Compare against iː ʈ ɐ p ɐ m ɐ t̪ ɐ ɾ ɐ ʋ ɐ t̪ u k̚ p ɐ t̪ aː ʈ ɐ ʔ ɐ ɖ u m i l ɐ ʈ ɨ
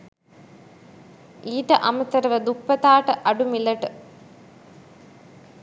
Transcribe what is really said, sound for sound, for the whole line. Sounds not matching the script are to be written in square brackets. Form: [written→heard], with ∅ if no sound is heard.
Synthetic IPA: iː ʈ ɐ [p→ʔ] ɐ m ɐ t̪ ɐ ɾ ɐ ʋ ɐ [t̪→d̪] u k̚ p ɐ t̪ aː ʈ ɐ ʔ ɐ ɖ u m i l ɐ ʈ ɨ